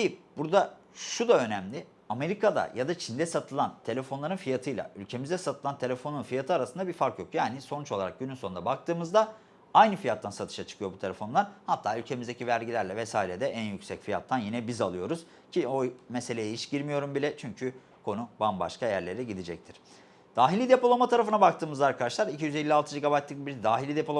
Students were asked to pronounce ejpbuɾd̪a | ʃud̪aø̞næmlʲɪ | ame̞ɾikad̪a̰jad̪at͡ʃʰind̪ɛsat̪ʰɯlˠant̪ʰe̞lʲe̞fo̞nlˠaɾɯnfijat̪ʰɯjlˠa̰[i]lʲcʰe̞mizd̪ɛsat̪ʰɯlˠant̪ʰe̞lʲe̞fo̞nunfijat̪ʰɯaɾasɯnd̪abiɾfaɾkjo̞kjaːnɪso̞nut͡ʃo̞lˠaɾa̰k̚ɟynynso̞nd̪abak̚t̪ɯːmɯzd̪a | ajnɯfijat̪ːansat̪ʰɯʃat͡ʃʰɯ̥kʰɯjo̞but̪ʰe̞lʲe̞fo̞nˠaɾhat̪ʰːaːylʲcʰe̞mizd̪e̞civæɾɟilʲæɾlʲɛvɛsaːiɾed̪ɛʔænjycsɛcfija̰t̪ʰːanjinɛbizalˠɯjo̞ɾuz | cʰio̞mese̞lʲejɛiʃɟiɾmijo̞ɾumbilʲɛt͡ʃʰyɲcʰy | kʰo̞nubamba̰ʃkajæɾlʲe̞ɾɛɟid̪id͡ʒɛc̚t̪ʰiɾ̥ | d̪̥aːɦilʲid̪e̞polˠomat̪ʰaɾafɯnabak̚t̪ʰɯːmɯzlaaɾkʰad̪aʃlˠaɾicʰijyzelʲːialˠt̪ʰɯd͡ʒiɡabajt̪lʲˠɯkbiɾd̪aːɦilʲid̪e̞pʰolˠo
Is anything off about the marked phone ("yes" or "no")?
yes